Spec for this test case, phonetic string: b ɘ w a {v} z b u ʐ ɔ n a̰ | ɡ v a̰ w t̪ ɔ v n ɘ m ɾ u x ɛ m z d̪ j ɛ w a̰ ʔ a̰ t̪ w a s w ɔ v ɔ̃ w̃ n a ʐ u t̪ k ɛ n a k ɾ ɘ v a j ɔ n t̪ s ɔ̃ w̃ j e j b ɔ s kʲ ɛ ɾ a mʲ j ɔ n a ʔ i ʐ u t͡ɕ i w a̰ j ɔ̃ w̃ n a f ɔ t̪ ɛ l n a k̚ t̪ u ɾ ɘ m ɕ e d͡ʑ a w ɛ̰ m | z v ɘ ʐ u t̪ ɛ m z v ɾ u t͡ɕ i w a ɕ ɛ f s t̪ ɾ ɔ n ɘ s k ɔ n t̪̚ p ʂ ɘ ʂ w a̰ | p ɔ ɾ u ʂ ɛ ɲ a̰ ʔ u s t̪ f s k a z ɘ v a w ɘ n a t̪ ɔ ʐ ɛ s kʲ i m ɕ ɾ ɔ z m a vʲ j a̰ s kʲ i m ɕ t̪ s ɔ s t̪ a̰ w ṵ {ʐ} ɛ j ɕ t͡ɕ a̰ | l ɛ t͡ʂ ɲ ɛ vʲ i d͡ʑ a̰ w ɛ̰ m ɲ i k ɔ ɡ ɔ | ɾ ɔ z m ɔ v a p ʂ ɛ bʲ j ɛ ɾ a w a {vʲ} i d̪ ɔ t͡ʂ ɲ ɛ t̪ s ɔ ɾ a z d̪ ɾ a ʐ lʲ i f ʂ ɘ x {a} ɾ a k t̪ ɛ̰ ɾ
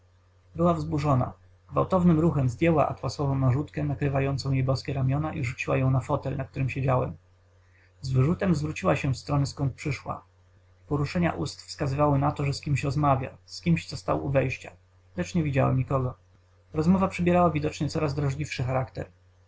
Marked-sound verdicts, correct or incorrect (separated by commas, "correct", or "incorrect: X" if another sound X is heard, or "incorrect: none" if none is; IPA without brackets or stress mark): correct, incorrect: v, correct, correct